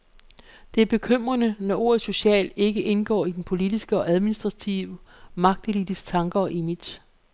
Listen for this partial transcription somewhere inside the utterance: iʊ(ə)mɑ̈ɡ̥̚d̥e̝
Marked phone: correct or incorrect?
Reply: correct